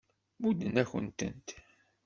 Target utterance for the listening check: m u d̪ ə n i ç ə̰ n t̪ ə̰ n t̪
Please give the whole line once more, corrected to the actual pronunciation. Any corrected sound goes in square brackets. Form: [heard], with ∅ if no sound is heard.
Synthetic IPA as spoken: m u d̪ ə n [æ] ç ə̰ n t̪ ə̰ n t̪